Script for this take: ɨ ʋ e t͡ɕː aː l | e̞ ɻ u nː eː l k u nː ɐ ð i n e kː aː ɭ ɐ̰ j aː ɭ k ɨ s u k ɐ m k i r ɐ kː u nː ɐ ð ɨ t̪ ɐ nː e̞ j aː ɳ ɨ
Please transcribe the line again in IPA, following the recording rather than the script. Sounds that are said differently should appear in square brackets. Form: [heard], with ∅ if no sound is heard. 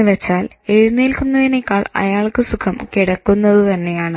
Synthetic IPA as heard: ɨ ʋ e t͡ɕː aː l | e̞ ɻ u nː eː l k u nː ɐ ð i n e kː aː ɭ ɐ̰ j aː ɭ k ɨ s u [kʰ] ɐ m k i [ɽ] ɐ kː u nː ɐ ð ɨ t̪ ɐ nː e̞ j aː ɳ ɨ